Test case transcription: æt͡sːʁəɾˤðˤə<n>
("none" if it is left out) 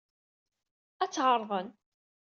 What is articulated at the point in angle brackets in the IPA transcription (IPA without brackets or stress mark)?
n